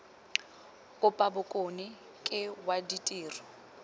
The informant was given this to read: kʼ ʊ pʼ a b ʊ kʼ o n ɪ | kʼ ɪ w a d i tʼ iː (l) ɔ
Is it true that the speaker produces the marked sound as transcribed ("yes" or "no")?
no